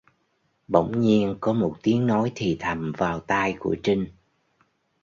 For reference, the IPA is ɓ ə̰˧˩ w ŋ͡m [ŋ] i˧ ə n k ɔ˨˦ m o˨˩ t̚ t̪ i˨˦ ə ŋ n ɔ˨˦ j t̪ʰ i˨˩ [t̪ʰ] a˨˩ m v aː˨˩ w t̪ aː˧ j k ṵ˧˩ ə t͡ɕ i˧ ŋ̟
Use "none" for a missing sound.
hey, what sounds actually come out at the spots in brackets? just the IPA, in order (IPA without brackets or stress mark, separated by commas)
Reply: ɲ, t̪ʰ